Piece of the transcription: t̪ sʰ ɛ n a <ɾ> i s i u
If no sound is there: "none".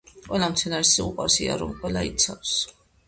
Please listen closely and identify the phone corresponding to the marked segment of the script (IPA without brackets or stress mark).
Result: ɾ